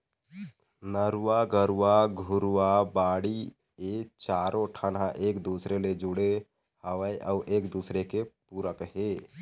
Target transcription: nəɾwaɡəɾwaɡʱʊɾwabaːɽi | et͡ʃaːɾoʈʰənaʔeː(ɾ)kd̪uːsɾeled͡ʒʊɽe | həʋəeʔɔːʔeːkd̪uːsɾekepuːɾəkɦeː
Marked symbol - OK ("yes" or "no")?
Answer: no